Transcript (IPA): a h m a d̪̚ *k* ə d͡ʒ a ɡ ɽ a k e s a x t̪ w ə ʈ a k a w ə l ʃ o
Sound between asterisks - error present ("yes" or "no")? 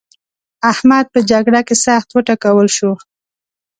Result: yes